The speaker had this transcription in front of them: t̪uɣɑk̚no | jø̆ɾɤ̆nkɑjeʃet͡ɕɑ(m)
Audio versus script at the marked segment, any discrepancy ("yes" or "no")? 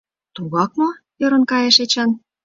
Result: yes